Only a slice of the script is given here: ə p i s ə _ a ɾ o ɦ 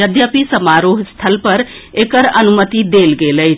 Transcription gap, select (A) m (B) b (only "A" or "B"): A